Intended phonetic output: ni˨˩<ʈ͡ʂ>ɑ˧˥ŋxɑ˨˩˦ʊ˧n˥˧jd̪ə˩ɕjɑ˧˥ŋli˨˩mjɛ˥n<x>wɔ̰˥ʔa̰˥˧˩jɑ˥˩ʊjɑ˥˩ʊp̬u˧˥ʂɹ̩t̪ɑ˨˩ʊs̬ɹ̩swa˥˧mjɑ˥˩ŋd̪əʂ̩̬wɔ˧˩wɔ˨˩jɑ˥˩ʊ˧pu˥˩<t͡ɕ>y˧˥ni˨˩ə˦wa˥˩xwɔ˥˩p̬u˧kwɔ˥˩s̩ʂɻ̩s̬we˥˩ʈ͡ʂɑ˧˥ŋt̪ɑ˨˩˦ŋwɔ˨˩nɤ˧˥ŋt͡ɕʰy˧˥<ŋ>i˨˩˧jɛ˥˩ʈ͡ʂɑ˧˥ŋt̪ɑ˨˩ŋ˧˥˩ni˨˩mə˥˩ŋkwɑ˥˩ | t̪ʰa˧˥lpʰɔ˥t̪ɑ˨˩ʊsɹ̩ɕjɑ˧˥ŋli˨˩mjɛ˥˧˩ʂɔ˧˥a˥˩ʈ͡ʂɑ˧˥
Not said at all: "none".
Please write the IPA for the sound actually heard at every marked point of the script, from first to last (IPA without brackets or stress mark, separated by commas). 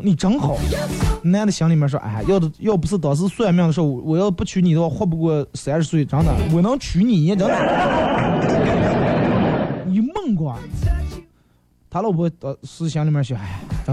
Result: ʈ͡ʂ, ʂ, t͡ɕʰ, n